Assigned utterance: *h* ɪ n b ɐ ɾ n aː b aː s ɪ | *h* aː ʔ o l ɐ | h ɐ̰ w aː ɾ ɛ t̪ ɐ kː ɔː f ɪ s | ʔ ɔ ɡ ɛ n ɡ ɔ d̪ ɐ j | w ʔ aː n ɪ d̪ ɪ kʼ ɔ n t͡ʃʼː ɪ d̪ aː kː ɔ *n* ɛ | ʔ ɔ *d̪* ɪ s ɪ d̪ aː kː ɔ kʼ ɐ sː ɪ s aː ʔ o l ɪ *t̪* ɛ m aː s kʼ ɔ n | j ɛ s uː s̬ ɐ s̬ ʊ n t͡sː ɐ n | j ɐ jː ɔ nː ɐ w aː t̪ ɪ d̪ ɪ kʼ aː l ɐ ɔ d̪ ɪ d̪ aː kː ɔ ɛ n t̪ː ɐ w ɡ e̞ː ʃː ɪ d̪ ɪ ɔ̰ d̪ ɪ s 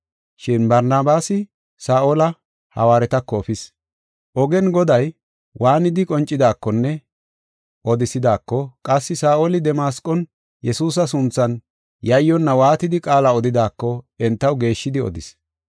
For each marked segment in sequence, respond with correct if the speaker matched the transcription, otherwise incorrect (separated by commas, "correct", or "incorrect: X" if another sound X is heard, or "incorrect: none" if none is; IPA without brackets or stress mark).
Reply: incorrect: ʃ, incorrect: s, incorrect: nː, correct, incorrect: d̪